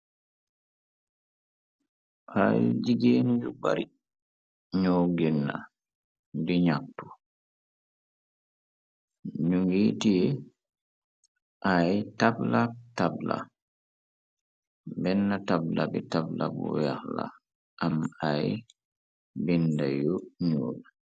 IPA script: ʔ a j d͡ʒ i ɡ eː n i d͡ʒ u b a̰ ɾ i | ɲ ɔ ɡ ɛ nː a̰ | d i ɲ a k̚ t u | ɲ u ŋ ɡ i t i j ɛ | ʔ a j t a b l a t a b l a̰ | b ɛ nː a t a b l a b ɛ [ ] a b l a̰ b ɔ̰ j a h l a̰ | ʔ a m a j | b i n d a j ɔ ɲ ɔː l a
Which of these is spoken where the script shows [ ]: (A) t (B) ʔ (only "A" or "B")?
A